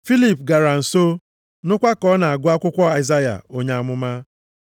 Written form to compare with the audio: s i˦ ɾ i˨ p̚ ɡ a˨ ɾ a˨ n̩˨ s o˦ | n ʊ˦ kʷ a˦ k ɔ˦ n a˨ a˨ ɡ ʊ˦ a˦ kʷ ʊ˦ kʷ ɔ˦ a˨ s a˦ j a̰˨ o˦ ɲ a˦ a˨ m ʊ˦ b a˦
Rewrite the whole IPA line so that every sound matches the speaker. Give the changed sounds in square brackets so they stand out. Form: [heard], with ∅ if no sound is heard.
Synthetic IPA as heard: [f] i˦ [l] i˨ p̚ ɡ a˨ ɾ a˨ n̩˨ s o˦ | n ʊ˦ kʷ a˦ k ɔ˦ n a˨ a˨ ɡ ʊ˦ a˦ kʷ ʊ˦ kʷ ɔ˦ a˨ [z] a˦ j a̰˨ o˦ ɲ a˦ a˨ m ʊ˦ [m] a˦